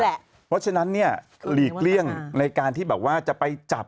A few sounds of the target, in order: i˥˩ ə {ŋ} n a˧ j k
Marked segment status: correct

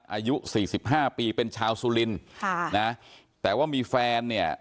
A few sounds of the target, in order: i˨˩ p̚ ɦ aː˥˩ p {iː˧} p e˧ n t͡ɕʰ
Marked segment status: correct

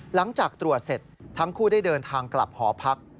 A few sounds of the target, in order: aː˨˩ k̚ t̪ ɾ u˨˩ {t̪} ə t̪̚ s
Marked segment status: incorrect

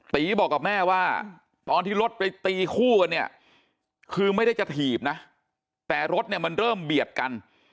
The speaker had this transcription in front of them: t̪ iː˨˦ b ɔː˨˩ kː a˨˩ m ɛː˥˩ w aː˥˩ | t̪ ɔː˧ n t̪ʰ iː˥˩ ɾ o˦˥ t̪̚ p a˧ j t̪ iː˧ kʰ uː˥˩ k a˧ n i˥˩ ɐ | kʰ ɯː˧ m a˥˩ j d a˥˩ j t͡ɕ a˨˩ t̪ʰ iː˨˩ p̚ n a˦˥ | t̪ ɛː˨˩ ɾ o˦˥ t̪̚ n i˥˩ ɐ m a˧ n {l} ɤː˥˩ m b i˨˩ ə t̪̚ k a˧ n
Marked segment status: incorrect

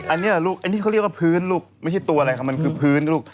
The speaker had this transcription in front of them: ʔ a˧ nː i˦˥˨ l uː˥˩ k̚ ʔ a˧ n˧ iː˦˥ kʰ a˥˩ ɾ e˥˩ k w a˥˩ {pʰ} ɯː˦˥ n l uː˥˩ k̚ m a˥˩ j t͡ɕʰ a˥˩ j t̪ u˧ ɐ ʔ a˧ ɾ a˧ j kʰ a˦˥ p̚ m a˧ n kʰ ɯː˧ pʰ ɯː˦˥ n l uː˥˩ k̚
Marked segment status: correct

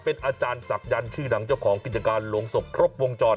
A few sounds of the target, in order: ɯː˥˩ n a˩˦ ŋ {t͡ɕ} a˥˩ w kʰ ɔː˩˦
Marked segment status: correct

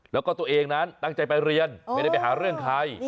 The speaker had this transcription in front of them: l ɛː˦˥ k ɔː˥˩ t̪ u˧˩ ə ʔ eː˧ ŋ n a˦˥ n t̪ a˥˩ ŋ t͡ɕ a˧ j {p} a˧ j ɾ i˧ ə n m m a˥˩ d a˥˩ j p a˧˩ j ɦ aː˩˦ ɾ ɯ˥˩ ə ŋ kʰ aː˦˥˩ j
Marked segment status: correct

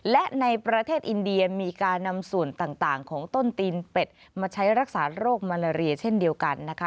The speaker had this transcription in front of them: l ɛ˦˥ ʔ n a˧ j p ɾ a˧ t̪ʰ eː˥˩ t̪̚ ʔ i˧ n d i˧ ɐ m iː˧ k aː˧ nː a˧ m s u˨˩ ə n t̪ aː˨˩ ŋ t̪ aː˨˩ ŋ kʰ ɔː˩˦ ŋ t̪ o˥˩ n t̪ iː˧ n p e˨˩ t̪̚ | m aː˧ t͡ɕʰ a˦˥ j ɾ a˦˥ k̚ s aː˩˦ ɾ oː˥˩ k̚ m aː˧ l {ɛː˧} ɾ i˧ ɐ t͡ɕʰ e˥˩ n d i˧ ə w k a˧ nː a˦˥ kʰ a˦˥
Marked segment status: incorrect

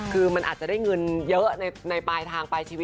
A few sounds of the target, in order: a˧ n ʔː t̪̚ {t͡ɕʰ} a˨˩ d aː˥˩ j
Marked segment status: incorrect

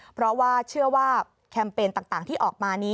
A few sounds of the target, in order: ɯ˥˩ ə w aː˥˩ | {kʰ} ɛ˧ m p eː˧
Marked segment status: correct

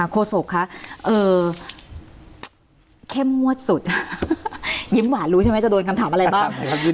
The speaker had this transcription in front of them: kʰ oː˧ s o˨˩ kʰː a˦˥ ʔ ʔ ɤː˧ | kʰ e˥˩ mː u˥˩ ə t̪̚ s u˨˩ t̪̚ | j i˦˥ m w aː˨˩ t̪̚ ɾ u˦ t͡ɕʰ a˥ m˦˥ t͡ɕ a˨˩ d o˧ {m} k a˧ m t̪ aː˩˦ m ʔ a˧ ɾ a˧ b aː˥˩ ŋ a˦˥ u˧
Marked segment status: incorrect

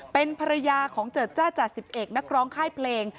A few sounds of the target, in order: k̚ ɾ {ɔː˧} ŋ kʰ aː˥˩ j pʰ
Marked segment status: incorrect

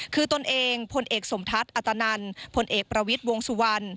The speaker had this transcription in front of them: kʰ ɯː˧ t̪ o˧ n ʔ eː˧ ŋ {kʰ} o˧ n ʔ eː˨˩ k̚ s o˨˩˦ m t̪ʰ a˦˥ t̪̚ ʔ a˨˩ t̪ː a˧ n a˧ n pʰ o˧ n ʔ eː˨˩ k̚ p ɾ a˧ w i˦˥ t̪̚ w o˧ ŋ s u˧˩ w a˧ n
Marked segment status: incorrect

